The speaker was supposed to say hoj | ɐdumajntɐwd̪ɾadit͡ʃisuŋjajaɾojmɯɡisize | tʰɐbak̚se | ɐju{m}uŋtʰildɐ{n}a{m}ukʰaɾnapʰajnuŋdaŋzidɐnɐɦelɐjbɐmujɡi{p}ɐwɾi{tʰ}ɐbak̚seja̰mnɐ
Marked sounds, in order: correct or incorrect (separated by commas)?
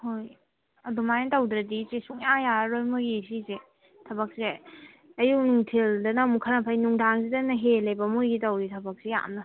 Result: incorrect, correct, correct, incorrect, correct